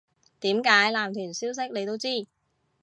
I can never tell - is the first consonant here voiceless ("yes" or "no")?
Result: yes